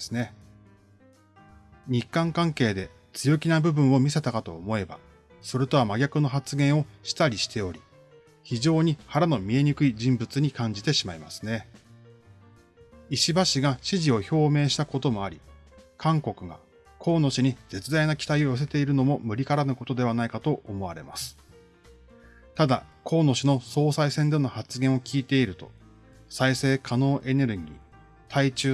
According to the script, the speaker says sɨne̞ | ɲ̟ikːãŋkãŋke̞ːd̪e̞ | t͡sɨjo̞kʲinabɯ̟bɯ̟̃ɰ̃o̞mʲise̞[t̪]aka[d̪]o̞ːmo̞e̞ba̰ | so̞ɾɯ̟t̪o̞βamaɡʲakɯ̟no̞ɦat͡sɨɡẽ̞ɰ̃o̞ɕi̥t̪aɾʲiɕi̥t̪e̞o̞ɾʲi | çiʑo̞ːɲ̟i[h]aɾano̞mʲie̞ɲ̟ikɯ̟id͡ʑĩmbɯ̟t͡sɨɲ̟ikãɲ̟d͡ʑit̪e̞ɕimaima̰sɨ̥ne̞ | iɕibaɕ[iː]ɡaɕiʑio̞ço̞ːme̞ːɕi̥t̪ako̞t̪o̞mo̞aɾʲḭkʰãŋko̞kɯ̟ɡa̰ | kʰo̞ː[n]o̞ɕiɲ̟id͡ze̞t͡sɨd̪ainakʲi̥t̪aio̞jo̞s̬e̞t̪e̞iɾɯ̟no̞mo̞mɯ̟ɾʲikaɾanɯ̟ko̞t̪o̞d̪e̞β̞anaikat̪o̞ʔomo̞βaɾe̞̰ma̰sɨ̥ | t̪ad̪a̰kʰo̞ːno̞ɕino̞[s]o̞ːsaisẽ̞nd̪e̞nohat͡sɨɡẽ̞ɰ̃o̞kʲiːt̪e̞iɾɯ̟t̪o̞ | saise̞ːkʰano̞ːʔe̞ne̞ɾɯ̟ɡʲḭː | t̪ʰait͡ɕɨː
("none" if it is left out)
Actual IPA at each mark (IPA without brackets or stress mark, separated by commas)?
t̪, t̪, h, i, n, s